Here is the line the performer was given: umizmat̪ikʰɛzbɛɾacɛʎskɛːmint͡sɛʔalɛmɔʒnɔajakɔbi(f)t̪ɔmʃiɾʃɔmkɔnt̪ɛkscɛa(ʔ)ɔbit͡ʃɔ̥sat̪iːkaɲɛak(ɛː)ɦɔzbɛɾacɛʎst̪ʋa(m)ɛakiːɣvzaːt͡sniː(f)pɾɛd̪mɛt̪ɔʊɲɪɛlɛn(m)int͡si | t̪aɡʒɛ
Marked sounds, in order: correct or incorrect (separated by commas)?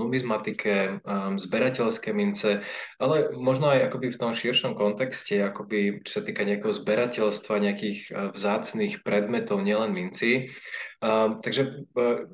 correct, incorrect, incorrect, incorrect, incorrect, correct